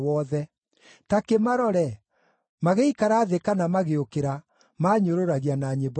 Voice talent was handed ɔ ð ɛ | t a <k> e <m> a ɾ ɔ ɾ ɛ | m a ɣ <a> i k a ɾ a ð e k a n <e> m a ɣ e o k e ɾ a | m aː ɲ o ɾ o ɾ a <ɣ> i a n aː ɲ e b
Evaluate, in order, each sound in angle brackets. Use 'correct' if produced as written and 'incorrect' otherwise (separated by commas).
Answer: correct, correct, incorrect, incorrect, correct